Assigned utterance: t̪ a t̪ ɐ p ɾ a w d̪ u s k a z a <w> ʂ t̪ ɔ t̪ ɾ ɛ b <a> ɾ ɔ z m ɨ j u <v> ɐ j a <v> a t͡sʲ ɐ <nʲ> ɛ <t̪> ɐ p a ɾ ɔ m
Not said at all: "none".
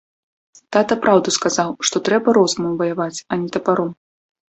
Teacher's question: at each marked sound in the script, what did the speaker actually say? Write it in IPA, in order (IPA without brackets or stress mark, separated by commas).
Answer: w, ɐ, v, v, nʲ, t̪